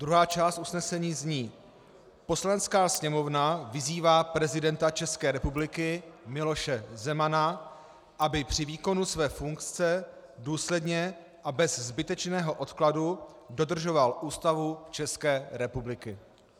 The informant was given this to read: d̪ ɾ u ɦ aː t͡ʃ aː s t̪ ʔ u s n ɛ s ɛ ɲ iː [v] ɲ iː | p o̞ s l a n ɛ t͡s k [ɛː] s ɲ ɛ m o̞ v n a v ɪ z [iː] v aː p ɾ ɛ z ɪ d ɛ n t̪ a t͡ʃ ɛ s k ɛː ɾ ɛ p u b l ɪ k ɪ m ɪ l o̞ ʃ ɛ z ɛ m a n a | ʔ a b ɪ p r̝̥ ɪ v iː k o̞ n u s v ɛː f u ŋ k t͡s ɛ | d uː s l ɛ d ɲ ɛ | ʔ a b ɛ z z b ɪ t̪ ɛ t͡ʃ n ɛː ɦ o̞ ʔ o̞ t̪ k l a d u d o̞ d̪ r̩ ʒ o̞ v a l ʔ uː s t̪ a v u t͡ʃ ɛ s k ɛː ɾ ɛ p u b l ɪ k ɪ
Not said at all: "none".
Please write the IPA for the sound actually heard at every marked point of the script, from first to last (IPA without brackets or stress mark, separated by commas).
z, aː, iː